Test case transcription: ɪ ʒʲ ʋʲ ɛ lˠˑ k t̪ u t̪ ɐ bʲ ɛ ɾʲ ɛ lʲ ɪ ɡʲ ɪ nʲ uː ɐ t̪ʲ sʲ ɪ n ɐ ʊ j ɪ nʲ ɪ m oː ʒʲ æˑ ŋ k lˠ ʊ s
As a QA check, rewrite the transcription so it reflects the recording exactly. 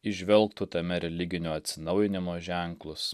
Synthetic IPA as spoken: ɪ ʒʲ ʋʲ ɛ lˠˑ k t̪ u t̪ ɐ mʲ ɛ ɾʲ ɛ lʲ ɪ ɡʲ ɪ nʲ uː ɐ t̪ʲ sʲ ɪ n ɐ ʊ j ɪ nʲ ɪ m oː ʒʲ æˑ ŋ k lˠ ʊ s